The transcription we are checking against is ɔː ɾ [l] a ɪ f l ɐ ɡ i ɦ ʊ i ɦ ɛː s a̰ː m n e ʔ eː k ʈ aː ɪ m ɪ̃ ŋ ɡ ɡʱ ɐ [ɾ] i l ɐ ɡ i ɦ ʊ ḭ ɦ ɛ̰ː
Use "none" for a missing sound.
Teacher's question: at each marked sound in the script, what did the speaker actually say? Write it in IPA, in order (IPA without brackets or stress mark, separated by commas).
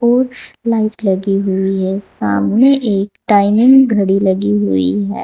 l, ɽ